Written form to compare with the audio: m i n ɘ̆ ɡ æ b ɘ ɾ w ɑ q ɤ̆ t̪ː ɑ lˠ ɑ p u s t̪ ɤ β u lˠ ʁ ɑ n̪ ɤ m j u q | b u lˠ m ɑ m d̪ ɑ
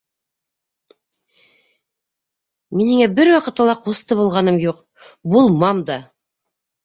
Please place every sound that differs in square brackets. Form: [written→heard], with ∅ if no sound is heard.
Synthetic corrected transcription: m i n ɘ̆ [ɡ→ŋ] æ b ɘ ɾ w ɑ q ɤ̆ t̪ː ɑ lˠ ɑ [p→q] u s t̪ ɤ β u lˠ ʁ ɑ n̪ ɤ m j u q | b u lˠ m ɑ m d̪ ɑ